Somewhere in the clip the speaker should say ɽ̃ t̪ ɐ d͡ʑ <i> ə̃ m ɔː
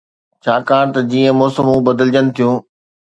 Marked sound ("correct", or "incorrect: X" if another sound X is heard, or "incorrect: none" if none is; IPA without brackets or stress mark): incorrect: iː